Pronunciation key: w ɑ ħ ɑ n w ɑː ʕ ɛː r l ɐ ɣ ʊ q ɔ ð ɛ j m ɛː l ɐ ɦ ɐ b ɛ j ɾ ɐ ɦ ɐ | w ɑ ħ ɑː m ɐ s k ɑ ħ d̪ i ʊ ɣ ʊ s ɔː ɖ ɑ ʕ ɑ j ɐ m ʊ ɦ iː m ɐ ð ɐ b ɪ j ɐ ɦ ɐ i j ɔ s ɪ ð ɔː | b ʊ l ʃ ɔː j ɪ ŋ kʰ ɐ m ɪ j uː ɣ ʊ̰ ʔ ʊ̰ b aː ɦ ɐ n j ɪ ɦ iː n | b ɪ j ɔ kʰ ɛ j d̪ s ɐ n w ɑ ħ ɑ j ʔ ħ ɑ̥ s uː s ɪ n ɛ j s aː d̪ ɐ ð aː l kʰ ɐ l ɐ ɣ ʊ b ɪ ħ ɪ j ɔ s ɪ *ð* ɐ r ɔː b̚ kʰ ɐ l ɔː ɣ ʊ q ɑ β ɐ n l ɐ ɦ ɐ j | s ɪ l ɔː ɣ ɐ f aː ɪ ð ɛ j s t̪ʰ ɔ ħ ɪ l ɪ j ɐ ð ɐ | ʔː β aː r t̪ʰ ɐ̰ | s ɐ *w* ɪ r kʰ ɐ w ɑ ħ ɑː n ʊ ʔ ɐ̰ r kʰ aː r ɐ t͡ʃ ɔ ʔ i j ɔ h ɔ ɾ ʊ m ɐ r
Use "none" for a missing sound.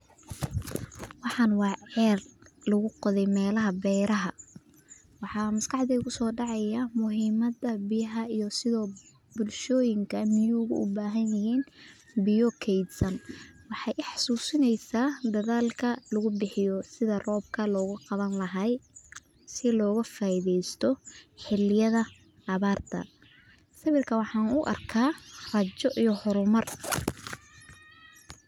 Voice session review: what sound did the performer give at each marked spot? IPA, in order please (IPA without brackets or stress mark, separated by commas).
ð, β